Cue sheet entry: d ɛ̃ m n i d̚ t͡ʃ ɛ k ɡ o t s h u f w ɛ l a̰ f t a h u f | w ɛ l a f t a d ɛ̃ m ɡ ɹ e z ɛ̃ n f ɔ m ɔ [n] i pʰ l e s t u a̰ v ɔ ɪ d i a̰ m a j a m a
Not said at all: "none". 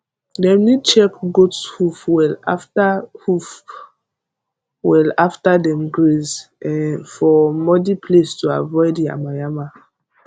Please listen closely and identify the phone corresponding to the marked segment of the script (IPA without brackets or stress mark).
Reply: d